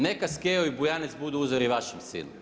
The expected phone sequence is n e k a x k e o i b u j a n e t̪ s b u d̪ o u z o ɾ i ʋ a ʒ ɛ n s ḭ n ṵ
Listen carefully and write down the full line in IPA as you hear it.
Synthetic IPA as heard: n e k a s k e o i b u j a n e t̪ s b u d̪ u u z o ɾ i ʋ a ʃ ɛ m s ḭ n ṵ